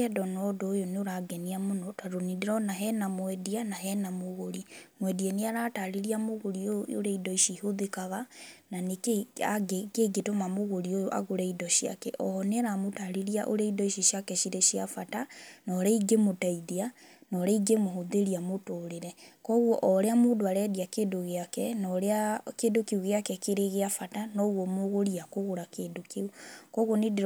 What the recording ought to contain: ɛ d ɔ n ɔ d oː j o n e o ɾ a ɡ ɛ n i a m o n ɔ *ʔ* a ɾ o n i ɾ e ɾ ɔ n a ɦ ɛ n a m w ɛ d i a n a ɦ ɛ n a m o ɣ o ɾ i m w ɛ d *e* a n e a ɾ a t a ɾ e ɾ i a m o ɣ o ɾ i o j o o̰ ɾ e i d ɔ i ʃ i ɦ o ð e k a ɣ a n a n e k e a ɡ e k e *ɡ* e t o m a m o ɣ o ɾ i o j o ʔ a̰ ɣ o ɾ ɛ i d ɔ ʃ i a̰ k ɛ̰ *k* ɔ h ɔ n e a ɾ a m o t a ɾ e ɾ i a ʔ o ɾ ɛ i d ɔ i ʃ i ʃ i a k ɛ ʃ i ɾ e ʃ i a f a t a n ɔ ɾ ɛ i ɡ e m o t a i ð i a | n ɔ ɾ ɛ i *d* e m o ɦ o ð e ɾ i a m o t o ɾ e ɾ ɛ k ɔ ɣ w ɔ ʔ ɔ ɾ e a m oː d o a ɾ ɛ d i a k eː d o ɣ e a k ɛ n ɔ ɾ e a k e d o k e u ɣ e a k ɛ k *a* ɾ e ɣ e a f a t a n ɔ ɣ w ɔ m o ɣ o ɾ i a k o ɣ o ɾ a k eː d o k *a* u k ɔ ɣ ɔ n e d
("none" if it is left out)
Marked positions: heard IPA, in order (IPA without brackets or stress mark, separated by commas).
t, i, ɡ, ʔ, ɡ, e, e